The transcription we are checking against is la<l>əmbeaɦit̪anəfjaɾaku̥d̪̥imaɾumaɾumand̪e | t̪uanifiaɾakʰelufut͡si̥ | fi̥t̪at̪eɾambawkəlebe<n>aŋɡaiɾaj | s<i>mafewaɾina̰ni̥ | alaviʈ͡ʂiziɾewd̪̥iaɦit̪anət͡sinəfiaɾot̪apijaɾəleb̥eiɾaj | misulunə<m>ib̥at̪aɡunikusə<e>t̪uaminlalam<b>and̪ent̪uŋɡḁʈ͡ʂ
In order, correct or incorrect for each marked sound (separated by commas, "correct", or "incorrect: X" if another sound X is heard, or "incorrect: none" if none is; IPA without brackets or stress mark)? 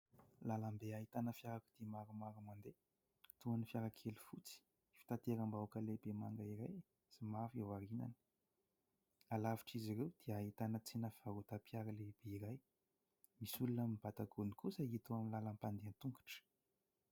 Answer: correct, incorrect: m, correct, correct, incorrect: i, incorrect: p